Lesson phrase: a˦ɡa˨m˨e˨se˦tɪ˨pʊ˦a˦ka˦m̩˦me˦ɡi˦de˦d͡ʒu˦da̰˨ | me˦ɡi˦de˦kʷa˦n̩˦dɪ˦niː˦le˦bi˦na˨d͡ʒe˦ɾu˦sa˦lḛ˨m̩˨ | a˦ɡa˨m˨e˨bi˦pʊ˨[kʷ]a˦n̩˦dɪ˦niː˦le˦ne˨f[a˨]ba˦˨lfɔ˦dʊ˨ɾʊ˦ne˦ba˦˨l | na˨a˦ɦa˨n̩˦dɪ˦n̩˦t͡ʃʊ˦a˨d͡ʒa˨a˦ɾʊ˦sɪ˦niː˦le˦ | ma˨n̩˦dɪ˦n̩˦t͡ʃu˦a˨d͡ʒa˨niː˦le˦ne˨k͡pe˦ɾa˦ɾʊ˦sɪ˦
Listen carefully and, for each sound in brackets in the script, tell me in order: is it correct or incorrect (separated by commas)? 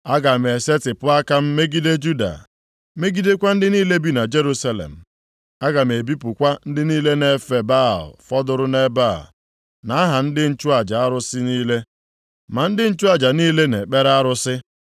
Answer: correct, incorrect